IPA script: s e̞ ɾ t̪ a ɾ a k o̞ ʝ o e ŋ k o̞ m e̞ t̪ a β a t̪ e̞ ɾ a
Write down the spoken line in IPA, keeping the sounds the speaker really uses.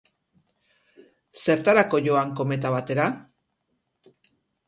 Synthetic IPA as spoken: s e̞ ɾ t̪ a ɾ a k o̞ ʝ o a ŋ k o̞ m e̞ t̪ a β a t̪ e̞ ɾ a